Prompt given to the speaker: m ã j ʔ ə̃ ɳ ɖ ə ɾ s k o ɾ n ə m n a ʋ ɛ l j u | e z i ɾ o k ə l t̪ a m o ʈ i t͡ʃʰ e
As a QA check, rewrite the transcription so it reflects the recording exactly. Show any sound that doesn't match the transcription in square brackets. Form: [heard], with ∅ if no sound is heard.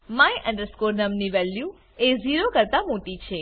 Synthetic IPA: m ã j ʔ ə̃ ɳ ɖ ə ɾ s k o ɾ n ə m n [i] ʋ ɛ l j u | e z i ɾ o k ə [ɾ] t̪ a m o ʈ i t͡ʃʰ e